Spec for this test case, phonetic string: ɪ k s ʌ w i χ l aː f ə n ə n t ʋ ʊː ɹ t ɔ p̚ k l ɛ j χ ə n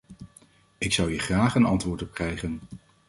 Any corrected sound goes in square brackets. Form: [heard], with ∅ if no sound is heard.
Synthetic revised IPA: ɪ k s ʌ w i χ [r] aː [χ] ə n [ɑ] n t ʋ ʊː ɹ t ɔ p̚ k [r] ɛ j χ ə n